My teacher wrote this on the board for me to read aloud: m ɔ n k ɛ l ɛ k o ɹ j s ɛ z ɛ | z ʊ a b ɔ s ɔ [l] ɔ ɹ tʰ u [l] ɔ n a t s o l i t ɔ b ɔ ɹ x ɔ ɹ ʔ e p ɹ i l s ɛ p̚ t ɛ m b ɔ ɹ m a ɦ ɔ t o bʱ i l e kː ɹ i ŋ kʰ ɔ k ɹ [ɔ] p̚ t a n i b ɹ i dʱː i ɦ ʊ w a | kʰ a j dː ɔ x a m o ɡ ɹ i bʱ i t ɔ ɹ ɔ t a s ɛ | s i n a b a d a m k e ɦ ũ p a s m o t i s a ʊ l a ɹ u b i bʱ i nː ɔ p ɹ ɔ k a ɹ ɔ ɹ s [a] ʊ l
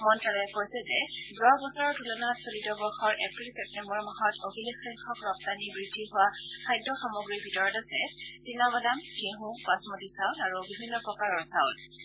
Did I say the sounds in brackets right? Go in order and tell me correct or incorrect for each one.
incorrect: ɹ, correct, correct, correct

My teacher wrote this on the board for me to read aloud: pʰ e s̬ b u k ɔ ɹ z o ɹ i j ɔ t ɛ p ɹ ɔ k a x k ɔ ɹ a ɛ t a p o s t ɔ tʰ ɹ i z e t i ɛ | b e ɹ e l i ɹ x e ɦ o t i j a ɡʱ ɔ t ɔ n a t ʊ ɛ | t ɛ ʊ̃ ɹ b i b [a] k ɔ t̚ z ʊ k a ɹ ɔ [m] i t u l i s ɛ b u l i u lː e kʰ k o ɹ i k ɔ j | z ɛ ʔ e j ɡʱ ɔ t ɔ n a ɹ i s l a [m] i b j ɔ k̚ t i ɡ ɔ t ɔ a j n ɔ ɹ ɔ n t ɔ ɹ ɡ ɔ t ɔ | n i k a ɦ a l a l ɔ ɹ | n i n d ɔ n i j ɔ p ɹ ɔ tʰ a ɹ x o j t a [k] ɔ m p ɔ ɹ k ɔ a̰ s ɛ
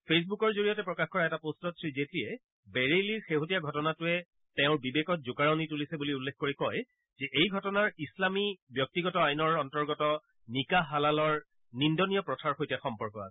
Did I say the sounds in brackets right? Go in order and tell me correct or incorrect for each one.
incorrect: e, incorrect: n, correct, incorrect: x

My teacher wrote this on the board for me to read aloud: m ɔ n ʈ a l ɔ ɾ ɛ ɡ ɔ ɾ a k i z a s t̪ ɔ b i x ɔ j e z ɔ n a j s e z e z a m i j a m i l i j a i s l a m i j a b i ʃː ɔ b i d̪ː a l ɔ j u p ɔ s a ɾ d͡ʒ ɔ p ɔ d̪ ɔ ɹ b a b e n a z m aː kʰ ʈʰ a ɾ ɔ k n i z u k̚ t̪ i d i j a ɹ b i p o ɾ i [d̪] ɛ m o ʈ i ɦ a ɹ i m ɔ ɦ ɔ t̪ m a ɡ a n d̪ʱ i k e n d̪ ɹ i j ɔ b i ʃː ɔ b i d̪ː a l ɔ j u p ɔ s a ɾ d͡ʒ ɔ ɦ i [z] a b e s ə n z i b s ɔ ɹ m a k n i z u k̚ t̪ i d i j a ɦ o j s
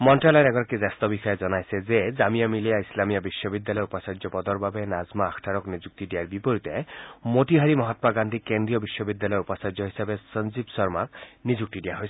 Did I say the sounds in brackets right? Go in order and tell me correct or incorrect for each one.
incorrect: t̪, incorrect: s

